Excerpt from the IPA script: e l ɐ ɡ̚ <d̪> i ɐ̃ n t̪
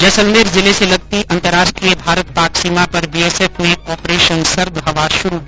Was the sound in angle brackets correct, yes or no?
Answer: no